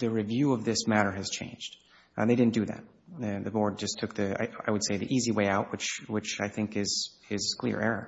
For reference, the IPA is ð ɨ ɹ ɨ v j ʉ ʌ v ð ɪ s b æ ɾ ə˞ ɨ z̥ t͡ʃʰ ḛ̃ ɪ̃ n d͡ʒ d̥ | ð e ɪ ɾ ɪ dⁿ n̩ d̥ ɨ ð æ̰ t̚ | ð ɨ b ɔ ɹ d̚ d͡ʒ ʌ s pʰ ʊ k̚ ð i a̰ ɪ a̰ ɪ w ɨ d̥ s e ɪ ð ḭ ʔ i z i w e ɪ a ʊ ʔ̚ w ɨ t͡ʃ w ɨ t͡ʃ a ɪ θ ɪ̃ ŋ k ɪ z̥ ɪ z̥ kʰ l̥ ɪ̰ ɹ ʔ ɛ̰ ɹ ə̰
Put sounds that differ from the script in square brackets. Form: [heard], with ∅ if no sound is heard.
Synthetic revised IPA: ð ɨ ɹ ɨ v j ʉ ʌ v ð ɪ s [m] æ ɾ ə˞ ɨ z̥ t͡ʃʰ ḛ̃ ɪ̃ n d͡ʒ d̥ | ð e ɪ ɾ ɪ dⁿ n̩ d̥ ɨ ð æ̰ t̚ | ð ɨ b ɔ ɹ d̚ d͡ʒ ʌ s [tʰ] ʊ k̚ ð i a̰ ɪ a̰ ɪ w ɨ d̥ s e ɪ ð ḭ ʔ i z i w e ɪ a ʊ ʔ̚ w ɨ t͡ʃ w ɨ t͡ʃ a ɪ θ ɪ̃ ŋ k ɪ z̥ ɪ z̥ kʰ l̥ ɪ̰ ɹ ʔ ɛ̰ ɹ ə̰